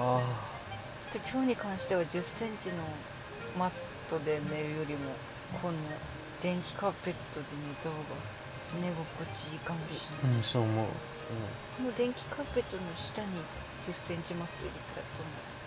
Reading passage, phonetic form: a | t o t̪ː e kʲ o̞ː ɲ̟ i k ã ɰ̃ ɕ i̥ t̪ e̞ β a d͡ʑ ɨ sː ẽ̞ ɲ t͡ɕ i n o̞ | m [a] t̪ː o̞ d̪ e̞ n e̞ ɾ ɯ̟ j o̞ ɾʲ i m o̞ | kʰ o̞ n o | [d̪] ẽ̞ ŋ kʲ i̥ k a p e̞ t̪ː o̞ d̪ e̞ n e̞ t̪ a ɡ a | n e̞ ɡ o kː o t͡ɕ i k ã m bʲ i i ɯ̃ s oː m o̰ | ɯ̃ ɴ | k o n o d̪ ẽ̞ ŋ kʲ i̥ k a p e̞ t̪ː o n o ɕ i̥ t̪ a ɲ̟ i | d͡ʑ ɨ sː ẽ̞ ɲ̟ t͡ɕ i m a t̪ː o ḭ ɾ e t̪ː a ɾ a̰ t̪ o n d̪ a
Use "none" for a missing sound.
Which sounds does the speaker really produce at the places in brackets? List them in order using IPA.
a, d̪

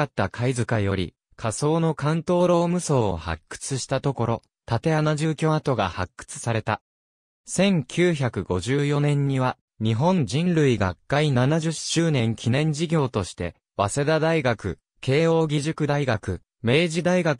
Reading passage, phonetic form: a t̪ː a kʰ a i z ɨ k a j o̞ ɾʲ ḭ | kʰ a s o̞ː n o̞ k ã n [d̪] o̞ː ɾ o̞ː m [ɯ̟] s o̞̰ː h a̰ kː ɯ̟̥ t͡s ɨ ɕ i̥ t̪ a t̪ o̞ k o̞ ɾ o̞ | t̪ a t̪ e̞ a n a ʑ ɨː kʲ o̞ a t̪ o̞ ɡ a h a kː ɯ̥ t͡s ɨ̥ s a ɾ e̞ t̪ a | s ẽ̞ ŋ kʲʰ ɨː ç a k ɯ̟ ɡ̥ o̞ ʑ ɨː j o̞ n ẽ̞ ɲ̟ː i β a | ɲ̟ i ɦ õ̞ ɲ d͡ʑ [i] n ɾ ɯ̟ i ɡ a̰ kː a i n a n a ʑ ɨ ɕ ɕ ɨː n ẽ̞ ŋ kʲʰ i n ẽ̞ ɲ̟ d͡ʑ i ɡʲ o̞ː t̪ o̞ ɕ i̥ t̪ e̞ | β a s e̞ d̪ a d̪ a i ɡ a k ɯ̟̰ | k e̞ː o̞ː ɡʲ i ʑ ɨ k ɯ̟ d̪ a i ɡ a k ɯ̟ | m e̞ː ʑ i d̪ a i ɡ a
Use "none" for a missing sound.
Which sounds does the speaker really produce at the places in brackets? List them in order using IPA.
t̪, ɯ̟, ĩ

